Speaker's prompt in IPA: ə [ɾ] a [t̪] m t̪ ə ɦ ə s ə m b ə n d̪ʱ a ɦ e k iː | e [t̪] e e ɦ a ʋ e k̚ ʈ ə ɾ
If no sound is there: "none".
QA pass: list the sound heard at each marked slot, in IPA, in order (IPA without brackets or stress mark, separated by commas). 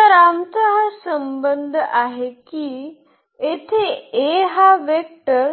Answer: ɾ, none, t̪ʰ